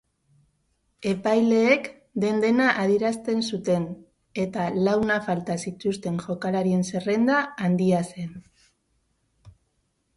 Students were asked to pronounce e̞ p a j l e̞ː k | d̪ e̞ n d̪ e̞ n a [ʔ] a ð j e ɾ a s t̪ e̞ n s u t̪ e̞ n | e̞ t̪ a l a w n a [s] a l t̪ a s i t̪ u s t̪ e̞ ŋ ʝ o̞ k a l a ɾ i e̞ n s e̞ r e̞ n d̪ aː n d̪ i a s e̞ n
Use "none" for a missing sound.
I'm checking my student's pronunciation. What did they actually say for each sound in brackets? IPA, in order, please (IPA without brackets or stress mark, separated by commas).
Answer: ʔ, f